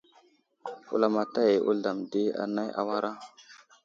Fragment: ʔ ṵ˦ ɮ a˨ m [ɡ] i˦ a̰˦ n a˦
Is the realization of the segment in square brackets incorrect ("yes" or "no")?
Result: yes